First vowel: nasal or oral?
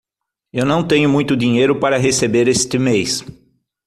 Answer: oral